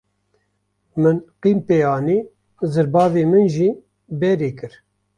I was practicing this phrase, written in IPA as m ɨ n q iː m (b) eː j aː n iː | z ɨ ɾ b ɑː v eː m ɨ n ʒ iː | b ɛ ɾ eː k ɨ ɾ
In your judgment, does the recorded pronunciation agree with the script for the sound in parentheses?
no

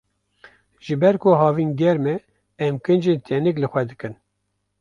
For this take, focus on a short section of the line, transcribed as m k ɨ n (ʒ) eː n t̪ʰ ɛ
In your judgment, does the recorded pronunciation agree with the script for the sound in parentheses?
no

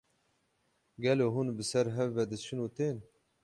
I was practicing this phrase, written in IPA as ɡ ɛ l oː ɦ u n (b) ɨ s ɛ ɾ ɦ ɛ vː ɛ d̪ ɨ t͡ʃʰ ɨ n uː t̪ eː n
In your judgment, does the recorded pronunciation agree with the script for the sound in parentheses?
yes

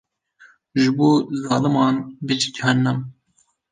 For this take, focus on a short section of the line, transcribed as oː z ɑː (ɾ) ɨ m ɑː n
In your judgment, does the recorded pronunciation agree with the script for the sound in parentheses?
no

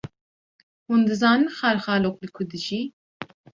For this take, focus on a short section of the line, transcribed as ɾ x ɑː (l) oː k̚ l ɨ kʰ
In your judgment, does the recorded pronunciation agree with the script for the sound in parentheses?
yes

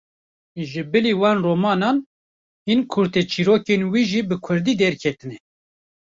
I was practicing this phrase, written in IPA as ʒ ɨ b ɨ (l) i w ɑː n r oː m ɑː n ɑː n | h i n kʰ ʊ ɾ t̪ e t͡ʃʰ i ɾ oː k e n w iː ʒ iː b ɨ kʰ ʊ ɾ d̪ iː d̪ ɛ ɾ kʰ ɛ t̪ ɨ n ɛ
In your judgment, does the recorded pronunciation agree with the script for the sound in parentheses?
yes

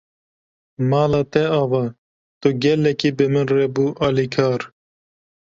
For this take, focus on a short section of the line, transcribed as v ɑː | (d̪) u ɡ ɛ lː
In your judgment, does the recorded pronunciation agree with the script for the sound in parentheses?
no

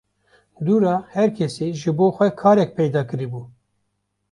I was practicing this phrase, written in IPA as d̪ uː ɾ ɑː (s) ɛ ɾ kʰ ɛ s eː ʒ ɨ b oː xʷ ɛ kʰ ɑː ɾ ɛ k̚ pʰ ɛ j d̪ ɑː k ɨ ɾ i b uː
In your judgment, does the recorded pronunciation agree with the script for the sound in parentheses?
no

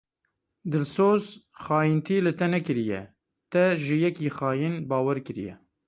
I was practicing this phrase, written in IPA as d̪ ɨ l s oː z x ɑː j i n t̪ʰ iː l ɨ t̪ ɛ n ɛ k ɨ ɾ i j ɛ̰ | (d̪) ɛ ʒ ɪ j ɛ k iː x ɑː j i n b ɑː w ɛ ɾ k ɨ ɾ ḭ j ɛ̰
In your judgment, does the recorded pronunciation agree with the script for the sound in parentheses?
no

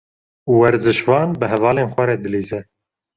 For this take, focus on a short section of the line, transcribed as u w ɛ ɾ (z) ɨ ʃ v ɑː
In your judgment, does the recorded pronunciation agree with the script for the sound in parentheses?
yes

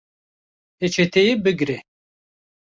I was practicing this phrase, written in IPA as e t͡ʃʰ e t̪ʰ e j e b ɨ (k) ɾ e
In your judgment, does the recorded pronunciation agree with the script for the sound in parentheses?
no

